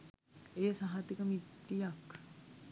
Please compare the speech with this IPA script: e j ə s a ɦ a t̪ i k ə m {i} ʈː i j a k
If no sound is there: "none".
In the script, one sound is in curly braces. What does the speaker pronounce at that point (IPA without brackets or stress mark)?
i